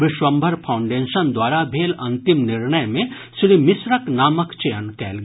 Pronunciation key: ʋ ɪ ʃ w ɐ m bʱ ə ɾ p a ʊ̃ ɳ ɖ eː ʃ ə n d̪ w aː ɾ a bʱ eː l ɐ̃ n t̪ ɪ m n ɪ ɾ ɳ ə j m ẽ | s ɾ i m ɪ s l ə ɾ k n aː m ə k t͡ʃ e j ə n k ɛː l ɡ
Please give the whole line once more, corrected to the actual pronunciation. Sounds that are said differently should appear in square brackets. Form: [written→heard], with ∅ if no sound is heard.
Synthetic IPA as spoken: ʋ ɪ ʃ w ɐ m bʱ ə ɾ [p→pʰ] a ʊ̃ ɳ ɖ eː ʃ ə n d̪ w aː ɾ a bʱ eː l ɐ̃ n t̪ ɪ m n ɪ ɾ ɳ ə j m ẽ | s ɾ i m ɪ s [l→ɾ] ə [ɾ→∅] k n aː m ə k t͡ʃ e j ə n k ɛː l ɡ